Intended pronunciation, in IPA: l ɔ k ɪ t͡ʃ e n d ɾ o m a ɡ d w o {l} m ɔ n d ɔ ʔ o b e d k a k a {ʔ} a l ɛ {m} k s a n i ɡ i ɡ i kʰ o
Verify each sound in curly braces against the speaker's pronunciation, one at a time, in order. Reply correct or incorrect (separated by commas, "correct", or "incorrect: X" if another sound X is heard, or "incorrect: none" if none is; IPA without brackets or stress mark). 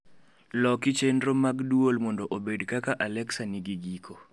correct, correct, incorrect: none